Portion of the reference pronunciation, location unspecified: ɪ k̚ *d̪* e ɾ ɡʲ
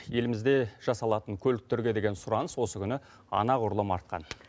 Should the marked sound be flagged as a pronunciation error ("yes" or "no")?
yes